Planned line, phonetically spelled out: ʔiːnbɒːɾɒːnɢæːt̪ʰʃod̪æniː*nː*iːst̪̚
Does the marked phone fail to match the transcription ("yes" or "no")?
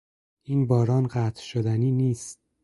yes